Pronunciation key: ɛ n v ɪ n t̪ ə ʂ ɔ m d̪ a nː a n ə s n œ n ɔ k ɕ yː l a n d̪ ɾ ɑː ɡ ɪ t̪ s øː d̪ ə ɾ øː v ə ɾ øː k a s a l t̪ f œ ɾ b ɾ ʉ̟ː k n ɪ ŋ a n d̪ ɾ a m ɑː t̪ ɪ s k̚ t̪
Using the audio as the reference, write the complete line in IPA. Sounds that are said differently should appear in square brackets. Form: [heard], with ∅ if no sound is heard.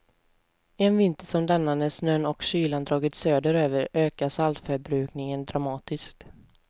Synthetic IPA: ɛ n v ɪ n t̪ ə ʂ ɔ m d̪ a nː a n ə s n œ n ɔ k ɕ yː l a n d̪ ɾ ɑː ɡ ɪ t̪ s øː d̪ ə ɾ øː v ə ɾ øː k a s a l t̪ f œ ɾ b ɾ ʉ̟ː k n ɪ ŋ [ə] n d̪ ɾ a m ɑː t̪ ɪ s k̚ t̪

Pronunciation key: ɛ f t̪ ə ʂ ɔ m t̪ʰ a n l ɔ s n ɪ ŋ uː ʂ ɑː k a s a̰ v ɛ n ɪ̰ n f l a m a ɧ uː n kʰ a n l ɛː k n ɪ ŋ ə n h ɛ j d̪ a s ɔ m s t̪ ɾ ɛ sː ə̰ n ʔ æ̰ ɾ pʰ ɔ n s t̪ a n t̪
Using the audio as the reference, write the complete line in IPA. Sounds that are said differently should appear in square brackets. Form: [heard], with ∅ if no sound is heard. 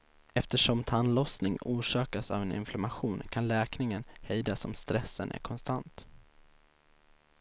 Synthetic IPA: ɛ f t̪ ə ʂ ɔ m t̪ʰ a n l ɔ s n ɪ ŋ uː ʂ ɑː k a s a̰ v ɛ n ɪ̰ n f l a m a ɧ uː n kʰ a n l ɛː k n ɪ ŋ ə n h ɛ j d̪ a s ɔ m s t̪ ɾ ɛ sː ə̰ n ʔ æ̰ ɾ [kʰ] ɔ n s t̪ a n t̪

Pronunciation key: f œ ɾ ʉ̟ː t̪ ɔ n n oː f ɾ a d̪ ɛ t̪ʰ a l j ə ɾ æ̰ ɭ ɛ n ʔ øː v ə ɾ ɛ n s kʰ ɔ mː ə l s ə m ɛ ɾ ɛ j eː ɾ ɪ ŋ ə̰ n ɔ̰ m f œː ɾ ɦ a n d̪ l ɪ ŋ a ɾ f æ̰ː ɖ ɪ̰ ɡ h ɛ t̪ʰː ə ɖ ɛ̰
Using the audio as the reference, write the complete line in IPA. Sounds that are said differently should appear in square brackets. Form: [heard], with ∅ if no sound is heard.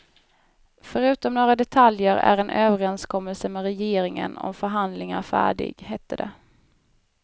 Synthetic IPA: f œ ɾ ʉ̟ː t̪ ɔ [m] n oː [∅] ɾ a d̪ ɛ t̪ʰ a l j ə ɾ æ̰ [ɾ] ɛ n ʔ øː v ə ɾ ɛ n s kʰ ɔ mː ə l s ə m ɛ ɾ ɛ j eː ɾ ɪ ŋ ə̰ n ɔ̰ m f [œ] ɾ ɦ a n d̪ l ɪ ŋ a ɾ f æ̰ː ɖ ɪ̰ ɡ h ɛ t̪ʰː ə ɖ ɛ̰

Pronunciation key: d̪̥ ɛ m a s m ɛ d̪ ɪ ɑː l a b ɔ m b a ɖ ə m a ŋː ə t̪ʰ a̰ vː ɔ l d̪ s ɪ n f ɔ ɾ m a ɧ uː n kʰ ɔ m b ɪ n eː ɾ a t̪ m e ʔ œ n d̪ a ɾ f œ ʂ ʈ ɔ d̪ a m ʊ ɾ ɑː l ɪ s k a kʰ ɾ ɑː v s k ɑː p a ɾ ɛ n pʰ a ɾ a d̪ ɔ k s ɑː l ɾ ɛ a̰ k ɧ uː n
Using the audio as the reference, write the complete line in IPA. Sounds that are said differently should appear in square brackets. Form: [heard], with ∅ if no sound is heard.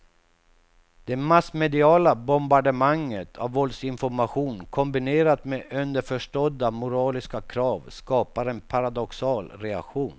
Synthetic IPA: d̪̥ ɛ m a s m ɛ d̪ ɪ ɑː l a b ɔ m b a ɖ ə m a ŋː ə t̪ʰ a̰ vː ɔ l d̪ s ɪ n f ɔ ɾ m a ɧ uː n kʰ ɔ m b ɪ n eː ɾ a t̪ m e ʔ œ n d̪ [ə] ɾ f œ ʂ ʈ ɔ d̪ a m ʊ ɾ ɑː l ɪ s k a kʰ ɾ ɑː v s k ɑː p a ɾ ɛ n pʰ a ɾ a d̪ ɔ k s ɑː l ɾ ɛ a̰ k ɧ uː n

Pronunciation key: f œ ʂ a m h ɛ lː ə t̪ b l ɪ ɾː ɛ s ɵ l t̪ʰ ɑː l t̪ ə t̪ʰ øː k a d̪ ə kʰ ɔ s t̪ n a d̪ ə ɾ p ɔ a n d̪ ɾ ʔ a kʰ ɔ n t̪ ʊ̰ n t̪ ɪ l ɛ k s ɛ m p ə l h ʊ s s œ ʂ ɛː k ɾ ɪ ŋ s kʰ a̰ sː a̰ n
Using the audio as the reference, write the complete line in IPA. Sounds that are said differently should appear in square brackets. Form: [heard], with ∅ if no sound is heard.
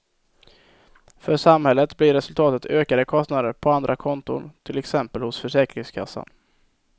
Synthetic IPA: f œ ʂ a m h ɛ lː ə t̪ b l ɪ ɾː ɛ s ɵ l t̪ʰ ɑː [∅] t̪ ə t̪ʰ øː k a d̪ ə kʰ ɔ s t̪ n a d̪ ə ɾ [pʰ] ɔ a n d̪ ɾ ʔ a kʰ ɔ n t̪ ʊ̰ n [t̪ʰ] ɪ l ɛ k s ɛ m p ə l h ʊ s [f] œ ʂ ɛː k ɾ ɪ ŋ s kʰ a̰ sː a̰ n

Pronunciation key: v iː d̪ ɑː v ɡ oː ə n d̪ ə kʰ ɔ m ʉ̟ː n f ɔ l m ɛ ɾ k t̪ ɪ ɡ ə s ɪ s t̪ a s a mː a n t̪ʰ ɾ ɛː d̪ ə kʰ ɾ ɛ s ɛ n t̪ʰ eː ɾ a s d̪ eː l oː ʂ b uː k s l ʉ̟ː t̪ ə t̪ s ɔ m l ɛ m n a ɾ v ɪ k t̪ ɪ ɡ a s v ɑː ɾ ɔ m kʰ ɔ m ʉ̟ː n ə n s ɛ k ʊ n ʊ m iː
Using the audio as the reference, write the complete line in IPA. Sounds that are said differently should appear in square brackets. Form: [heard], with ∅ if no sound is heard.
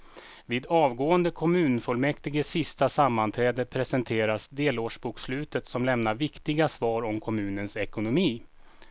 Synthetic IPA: v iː d̪ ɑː v ɡ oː ə n d̪ ə kʰ ɔ m ʉ̟ː n f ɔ l m ɛ [∅] k t̪ ɪ ɡ ə s ɪ s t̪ a s a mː a n t̪ʰ ɾ ɛː d̪ ə [pʰ] ɾ ɛ s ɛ n t̪ʰ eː ɾ a s d̪ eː l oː ʂ b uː k s l ʉ̟ː t̪ ə t̪ s ɔ m l ɛ m n a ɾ v ɪ k t̪ ɪ ɡ a s v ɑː ɾ ɔ m kʰ ɔ m ʉ̟ː n ə n s ɛ k ʊ n ʊ m iː

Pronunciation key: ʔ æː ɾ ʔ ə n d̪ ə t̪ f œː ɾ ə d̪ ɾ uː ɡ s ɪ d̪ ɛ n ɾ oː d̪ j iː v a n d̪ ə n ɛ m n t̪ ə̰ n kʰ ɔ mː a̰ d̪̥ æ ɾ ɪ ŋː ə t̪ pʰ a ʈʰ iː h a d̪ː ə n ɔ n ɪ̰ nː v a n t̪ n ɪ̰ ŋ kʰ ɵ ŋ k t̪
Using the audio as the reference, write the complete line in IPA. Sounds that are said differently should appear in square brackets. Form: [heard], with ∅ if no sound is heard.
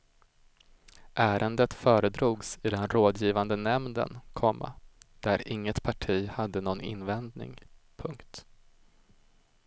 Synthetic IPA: ʔ æː ɾ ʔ ə n d̪ ə t̪ f œː ɾ ə d̪ ɾ uː ɡ s ɪ d̪ ɛ n ɾ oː d̪ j iː v a n d̪ ə n ɛ m n [d̪] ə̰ n kʰ ɔ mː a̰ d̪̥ æ ɾ ɪ ŋː ə t̪ pʰ a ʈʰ iː h a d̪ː ə n ɔ n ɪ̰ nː v [ɛ] n [d̪] n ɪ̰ ŋ [pʰ] ɵ ŋ k t̪

